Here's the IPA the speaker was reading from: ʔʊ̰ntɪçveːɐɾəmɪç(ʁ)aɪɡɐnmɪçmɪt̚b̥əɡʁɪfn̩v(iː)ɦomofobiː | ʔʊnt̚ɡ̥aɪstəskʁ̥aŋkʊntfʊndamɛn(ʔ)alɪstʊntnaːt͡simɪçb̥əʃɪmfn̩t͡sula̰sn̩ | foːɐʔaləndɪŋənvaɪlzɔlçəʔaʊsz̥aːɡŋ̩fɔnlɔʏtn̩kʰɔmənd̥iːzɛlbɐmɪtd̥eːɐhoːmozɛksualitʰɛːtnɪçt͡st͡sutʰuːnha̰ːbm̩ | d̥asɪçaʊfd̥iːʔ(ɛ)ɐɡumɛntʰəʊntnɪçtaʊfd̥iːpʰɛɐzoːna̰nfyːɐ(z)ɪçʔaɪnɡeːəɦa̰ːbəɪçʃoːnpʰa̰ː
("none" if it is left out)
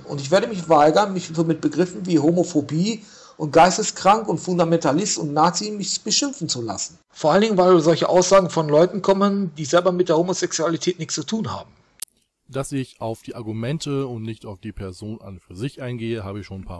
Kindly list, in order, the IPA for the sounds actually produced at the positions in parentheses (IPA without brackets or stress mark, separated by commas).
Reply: v, iː, t, a, z